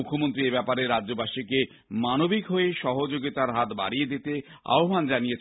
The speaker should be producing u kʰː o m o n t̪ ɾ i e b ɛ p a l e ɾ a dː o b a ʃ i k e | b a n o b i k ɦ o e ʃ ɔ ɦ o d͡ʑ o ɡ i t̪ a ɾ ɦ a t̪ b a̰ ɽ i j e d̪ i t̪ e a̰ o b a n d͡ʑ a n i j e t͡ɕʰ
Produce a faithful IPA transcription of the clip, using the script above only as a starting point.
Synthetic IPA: u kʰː o m o n t̪ ɾ i e b ɛ p a ɾ e ɾ a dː o b a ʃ i k e | m a n o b i k ɦ o e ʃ ɔ ɦ o d͡ʑ o ɡ i t̪ a ɾ ɦ a t̪ b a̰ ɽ i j e d̪ i t̪ e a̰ o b a n d͡ʑ a n i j e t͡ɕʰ